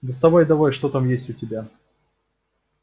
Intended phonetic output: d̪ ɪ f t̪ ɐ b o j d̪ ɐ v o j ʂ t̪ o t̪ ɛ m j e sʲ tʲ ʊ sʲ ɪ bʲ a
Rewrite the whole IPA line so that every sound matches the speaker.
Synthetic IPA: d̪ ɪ s t̪ ɐ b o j d̪ ɐ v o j ʂ t̪ o t̪ a m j e sʲ tʲ ʊ tʲ ɪ bʲ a

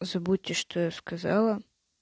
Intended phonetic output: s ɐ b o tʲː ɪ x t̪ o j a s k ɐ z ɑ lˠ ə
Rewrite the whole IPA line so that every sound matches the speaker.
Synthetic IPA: z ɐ b u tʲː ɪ ʂ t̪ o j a s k ɐ z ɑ lˠ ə

